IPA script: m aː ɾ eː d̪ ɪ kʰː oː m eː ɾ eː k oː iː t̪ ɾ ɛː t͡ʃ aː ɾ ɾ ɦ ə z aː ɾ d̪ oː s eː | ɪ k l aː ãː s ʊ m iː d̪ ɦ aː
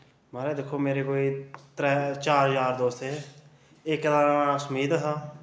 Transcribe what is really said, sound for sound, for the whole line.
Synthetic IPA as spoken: m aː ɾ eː d̪ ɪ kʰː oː m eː ɾ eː k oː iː t̪ ɾ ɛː t͡ʃ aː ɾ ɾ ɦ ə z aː ɾ d̪ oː s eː | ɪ k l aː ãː s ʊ m iː d̪ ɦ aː